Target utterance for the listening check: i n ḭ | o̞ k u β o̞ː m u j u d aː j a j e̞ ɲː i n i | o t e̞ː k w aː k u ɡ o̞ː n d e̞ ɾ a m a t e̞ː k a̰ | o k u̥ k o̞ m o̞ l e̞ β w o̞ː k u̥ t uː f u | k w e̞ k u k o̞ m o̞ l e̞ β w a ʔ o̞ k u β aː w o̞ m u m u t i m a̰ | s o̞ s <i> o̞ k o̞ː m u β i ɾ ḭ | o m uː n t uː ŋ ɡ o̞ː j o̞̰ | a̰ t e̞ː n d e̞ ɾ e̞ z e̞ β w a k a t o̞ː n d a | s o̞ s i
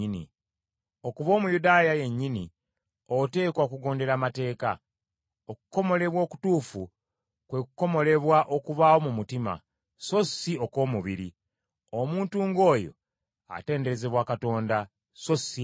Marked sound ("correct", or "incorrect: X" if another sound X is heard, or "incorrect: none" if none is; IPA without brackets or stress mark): correct